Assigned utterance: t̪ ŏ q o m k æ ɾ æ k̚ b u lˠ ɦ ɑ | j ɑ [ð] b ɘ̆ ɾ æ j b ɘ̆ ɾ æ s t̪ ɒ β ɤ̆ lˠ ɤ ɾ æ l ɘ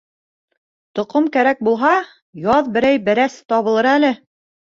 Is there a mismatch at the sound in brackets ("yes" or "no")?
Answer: no